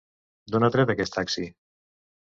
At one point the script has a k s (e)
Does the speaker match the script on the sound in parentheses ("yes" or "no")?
no